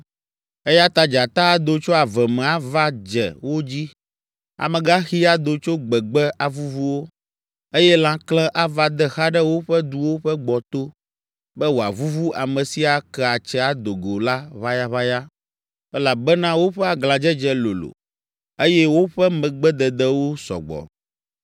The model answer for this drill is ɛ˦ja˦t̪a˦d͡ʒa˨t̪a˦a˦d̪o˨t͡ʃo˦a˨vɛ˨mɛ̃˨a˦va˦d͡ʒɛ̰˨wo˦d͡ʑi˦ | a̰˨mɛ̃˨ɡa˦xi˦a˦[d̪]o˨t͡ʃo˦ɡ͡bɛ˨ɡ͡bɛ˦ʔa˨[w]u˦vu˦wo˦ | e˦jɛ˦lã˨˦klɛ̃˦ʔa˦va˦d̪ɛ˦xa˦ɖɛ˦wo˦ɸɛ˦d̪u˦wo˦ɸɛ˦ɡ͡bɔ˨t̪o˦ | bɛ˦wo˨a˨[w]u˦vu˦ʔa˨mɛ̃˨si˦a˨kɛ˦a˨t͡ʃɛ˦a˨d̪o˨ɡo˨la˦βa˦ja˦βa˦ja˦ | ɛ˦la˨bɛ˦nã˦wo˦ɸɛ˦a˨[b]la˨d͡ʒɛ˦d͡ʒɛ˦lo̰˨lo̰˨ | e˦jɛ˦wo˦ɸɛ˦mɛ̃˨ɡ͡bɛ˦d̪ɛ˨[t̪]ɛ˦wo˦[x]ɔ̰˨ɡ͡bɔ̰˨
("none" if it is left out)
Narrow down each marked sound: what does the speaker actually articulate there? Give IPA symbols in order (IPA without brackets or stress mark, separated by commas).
d̪, v, v, ɡ, d̪, s